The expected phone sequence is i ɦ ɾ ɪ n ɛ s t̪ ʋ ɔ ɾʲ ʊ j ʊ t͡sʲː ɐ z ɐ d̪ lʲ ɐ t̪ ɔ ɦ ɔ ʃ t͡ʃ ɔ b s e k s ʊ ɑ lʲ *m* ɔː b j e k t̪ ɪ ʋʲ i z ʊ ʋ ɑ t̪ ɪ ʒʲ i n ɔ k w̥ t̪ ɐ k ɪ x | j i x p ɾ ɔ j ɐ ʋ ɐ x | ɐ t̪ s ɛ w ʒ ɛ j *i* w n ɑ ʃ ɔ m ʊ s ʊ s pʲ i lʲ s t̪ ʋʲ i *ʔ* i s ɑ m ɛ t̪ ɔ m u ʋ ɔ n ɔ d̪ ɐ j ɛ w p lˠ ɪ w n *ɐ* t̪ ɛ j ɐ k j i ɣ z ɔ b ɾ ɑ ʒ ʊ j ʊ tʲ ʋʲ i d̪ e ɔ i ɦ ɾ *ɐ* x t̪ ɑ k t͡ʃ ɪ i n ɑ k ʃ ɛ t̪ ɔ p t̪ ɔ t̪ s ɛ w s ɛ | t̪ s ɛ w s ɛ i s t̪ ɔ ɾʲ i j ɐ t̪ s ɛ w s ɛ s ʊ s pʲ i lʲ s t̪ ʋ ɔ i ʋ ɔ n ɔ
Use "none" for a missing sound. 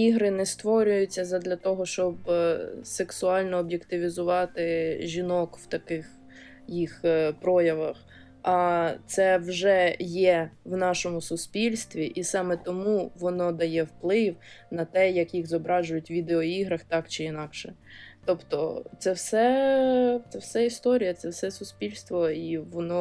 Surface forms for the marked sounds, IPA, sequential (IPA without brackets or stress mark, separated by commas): n, ɛ, ʔ, ɐ, ɐ